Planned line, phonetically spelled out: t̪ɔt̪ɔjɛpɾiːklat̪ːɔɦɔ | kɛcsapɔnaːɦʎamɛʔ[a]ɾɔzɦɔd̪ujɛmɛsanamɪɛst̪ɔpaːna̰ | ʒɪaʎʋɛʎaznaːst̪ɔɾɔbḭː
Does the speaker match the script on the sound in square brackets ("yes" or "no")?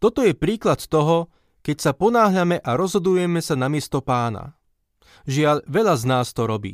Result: yes